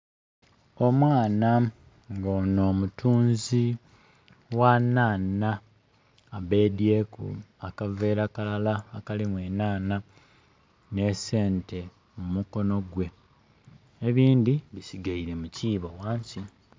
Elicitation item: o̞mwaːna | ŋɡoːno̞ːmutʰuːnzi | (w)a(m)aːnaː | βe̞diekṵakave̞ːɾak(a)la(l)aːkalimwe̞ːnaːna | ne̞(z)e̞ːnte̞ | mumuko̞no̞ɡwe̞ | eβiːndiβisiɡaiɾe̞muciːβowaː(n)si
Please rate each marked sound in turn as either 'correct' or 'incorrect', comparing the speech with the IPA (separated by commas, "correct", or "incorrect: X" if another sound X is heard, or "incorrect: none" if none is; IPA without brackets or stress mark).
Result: correct, incorrect: n, correct, correct, incorrect: s, incorrect: ɲ